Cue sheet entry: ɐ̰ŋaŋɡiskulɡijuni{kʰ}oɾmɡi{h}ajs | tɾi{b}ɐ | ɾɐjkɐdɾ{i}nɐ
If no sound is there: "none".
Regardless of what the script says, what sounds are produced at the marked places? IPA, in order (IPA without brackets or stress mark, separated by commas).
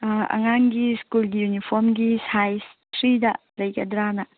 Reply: pʰ, s, d, a